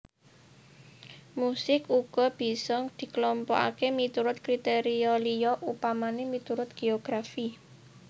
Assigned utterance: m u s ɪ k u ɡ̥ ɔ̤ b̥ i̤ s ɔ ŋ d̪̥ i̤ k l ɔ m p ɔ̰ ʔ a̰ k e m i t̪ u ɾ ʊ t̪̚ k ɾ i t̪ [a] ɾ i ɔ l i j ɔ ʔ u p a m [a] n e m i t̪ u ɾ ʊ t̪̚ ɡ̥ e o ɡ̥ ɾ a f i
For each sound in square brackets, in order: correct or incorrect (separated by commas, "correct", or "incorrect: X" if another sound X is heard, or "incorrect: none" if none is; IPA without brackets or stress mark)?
incorrect: e, correct